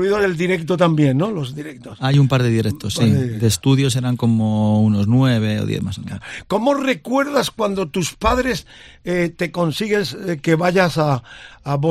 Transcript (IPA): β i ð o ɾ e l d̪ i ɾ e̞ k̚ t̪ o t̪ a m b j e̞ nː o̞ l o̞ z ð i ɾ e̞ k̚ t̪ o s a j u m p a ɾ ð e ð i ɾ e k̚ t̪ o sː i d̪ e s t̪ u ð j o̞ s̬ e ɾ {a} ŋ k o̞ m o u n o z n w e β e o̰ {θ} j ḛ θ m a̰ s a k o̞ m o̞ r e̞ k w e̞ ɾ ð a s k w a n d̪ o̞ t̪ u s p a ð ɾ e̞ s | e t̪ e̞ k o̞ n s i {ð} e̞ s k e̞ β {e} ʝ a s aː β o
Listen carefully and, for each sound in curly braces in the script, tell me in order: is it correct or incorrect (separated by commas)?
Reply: correct, incorrect, incorrect, incorrect